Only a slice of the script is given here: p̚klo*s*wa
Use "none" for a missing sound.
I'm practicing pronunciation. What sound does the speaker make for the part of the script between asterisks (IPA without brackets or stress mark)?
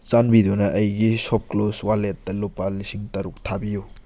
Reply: s